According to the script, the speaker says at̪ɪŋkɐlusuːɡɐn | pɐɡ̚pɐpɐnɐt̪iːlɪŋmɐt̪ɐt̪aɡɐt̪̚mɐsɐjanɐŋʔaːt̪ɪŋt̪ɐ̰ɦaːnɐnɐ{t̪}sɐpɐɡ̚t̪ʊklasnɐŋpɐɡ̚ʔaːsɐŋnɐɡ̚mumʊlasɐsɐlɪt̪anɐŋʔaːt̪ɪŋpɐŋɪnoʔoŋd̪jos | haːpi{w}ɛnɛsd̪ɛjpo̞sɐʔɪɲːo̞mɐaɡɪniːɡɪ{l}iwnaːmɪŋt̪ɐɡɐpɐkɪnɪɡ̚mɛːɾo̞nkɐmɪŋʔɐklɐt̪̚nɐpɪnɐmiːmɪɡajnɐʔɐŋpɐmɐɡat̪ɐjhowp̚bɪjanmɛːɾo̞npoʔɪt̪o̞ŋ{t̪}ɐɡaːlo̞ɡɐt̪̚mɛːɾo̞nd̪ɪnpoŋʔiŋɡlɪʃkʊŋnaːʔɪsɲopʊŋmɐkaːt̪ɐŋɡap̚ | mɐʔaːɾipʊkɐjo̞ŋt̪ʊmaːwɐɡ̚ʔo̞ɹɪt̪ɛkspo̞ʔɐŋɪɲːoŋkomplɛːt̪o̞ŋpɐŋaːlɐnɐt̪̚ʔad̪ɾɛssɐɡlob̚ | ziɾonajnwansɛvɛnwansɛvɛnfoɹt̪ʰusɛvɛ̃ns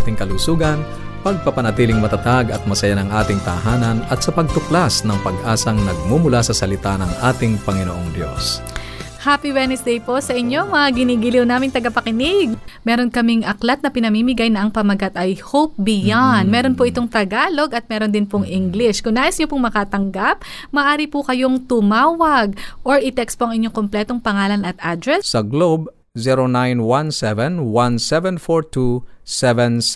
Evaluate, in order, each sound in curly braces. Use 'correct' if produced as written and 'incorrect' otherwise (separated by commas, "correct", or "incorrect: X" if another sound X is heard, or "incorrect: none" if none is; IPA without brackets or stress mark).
correct, correct, correct, correct